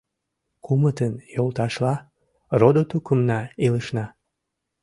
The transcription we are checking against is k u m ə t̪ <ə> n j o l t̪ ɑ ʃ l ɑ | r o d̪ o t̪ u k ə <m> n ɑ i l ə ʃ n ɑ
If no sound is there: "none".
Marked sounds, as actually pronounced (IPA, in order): ə, m

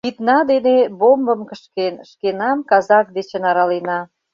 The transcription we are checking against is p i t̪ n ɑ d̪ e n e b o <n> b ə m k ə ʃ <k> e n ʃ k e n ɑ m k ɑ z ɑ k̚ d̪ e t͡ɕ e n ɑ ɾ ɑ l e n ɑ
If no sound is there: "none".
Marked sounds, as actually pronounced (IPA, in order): m, k

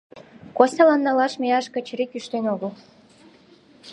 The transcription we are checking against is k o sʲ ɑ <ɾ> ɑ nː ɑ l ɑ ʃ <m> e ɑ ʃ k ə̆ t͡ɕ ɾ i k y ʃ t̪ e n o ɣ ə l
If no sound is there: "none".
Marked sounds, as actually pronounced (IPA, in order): l, m

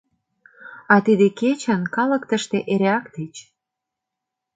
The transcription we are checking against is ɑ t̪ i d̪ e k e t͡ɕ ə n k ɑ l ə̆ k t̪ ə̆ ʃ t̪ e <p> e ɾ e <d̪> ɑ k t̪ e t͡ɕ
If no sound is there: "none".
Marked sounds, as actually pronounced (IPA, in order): ʔ, none

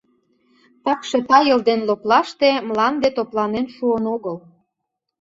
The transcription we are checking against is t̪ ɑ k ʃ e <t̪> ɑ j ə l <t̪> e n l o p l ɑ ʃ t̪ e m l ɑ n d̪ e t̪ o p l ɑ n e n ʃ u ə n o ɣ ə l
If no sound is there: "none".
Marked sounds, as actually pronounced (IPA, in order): t̪, d̪

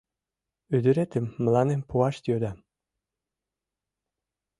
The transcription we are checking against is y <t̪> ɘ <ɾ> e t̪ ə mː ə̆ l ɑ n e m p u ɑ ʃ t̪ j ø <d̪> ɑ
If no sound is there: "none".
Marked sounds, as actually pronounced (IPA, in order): d̪, ɾ, d̪

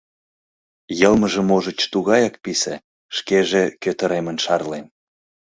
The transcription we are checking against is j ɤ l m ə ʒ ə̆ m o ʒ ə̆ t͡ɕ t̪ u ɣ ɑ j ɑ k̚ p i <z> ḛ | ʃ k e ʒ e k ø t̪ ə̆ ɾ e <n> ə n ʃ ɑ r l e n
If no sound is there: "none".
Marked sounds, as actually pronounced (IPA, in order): s, m

